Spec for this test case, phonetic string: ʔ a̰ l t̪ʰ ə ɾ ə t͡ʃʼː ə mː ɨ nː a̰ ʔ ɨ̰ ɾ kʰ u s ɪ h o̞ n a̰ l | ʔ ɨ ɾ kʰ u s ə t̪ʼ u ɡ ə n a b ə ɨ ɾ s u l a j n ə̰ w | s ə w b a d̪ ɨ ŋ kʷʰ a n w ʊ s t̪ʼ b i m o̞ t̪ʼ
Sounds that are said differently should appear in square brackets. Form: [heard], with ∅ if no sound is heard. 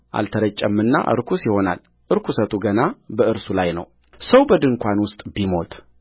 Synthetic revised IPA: ʔ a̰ l t̪ʰ ə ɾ ə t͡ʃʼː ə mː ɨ nː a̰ ʔ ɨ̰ ɾ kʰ u s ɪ h o̞ n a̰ l | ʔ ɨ ɾ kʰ u s ə t̪ʼ u ɡ ə n a b ə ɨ ɾ s u l a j n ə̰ w | s ə w b [ə] d̪ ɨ ŋ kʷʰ a n w ʊ s t̪ʼ b i m o̞ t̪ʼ